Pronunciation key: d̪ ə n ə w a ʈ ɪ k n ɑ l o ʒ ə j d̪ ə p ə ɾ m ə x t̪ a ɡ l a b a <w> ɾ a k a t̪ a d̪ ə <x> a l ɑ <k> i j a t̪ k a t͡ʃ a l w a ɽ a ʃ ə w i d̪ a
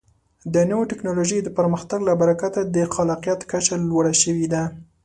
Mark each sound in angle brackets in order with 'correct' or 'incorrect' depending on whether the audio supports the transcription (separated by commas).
incorrect, correct, incorrect